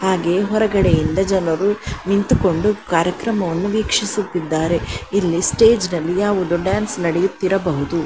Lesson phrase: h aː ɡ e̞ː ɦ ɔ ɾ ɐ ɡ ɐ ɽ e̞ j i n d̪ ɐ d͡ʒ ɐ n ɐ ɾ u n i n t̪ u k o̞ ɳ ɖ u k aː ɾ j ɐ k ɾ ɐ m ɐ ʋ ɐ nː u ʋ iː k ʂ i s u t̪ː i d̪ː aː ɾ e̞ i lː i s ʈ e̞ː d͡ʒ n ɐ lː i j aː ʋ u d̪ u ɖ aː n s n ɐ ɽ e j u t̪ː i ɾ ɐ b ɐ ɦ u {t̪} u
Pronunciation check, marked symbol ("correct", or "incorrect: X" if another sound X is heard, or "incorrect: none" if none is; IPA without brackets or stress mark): incorrect: d̪